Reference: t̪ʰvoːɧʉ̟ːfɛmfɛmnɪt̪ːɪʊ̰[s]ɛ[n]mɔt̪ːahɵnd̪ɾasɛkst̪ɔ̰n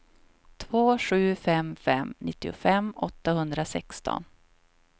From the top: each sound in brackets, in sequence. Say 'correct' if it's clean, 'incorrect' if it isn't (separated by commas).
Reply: incorrect, incorrect